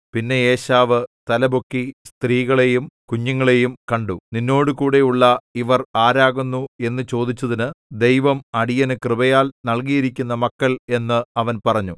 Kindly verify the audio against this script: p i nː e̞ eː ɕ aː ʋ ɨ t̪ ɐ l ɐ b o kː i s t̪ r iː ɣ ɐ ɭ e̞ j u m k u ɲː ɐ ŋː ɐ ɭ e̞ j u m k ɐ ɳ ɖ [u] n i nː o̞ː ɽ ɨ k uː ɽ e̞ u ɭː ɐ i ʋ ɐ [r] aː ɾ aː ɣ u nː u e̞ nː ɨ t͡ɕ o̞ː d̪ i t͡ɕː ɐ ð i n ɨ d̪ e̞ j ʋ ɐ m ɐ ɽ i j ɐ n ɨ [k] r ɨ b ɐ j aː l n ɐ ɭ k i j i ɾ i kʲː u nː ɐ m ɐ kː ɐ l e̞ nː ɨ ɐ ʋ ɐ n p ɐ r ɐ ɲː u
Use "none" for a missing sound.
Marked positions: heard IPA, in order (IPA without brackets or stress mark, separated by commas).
u, r, k